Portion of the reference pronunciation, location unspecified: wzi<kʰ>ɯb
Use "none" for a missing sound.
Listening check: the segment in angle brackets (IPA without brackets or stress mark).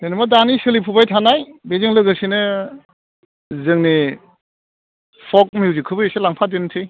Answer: kʰ